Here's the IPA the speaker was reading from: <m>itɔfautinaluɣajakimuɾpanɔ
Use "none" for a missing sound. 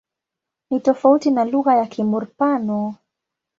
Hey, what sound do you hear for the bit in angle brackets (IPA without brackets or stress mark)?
n